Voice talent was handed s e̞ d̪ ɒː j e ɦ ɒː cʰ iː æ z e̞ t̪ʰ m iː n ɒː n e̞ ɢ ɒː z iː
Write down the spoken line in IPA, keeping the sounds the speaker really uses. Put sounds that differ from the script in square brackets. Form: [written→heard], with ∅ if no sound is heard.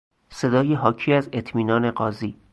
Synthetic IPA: s e̞ d̪ ɒː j e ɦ ɒː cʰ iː æ z e̞ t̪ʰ m iː n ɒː n e̞ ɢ ɒː z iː